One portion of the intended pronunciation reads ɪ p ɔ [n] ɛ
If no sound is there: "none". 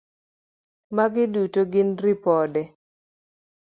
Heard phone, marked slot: d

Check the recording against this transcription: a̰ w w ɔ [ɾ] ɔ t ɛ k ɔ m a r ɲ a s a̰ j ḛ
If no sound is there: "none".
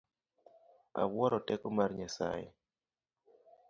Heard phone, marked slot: ɾ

